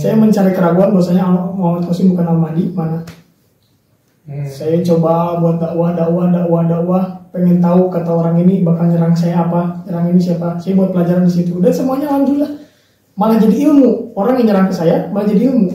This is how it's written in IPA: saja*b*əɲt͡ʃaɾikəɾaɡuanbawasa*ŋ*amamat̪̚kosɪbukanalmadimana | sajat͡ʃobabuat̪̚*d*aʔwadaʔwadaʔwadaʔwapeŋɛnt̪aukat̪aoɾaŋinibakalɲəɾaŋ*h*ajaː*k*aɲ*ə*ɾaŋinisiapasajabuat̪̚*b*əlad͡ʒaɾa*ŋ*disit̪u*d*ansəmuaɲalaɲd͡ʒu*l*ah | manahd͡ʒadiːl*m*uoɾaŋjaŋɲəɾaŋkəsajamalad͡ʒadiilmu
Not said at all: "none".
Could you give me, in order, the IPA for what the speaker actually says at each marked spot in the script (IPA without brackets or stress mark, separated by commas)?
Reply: m, ɲ, d, s, p, ə, p, n, d, l, m